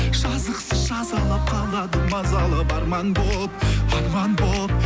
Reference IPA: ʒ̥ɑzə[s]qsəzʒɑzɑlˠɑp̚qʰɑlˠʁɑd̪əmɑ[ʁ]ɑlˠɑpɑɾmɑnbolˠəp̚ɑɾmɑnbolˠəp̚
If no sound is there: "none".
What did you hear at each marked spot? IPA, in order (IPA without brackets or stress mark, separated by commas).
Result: none, z